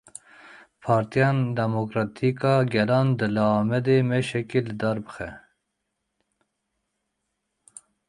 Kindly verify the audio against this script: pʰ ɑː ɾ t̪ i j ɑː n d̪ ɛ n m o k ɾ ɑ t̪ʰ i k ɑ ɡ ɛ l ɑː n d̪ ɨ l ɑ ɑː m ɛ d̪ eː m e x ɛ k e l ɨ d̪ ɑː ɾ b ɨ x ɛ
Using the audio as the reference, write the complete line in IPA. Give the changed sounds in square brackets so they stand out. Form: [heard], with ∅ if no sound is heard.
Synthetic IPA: pʰ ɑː ɾ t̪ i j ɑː n d̪ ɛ [∅] m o k ɾ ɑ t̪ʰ i k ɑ ɡ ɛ l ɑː n d̪ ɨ l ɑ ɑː m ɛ d̪ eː m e [ʃ] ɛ k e l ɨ d̪ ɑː ɾ b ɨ x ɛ